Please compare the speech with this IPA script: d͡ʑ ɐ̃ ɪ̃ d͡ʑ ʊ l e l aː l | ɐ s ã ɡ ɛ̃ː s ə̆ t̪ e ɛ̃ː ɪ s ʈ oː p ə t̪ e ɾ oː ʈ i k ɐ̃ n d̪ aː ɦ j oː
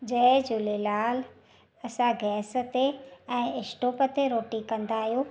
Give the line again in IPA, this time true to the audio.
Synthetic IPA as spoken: d͡ʑ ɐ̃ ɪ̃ d͡ʑ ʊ l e l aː l | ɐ s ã ɡ ɛː s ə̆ t̪ e ɛ̃ː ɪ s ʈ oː p ə t̪ e ɾ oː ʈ i k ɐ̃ n d̪ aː ɦ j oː